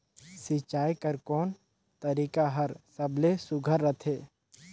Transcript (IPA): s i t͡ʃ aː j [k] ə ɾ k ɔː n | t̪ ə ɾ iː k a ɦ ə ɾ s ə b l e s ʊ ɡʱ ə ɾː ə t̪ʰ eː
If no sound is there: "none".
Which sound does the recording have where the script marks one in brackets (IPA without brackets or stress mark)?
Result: k